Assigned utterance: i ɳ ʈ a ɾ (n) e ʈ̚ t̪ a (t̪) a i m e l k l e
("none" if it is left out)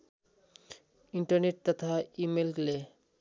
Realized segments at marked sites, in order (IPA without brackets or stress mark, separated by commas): n, t̪ʰ